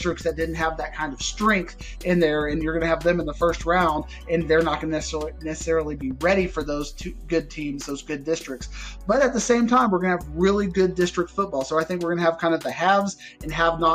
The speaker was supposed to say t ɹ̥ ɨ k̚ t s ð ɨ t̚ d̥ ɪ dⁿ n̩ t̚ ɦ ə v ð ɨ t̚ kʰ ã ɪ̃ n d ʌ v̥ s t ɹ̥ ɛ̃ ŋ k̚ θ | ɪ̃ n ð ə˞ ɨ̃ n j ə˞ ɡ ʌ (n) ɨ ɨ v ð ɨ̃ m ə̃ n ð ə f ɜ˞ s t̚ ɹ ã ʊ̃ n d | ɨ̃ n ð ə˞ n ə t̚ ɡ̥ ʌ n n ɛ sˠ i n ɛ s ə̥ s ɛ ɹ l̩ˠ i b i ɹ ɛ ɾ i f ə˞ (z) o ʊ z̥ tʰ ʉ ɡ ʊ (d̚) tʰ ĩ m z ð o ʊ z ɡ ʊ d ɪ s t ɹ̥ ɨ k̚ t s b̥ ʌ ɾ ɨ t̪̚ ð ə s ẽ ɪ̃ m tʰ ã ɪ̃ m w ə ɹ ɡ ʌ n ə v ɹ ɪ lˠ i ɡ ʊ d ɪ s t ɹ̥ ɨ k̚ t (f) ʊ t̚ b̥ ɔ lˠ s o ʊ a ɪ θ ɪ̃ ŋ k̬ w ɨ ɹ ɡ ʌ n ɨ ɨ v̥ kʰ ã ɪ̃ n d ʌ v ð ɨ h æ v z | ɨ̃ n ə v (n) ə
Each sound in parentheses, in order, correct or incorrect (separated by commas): correct, incorrect, correct, correct, correct